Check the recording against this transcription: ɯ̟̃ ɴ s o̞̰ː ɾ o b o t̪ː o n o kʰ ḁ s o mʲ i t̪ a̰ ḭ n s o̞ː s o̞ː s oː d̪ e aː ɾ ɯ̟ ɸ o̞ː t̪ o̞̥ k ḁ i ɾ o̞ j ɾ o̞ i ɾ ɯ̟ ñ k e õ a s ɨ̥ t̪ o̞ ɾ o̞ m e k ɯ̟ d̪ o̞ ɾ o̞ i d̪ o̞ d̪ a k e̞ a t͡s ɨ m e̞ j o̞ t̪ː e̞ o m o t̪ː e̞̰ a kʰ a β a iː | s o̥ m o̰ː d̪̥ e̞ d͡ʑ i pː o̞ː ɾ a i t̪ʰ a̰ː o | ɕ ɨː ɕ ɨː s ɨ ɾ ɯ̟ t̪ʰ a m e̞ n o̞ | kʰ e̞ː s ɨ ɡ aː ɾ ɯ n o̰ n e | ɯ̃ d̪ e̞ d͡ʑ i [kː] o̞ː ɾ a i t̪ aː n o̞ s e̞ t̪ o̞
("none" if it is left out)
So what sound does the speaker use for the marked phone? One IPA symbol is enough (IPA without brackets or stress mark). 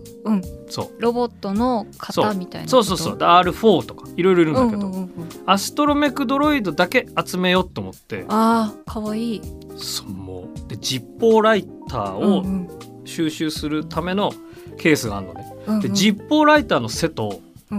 pː